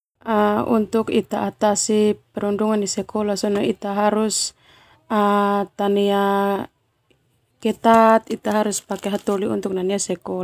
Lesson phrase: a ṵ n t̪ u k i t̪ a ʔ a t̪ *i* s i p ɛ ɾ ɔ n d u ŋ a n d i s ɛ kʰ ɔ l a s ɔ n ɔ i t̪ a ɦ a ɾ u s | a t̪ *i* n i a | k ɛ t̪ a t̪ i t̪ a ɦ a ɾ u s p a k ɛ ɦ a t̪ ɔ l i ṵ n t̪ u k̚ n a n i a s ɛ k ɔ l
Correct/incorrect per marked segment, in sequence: incorrect, incorrect

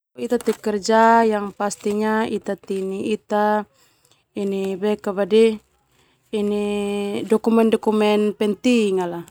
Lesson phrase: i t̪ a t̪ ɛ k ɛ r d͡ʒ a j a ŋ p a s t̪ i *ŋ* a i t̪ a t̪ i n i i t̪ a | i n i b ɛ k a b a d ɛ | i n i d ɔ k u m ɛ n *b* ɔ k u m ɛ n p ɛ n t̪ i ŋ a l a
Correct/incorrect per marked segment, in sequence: incorrect, incorrect

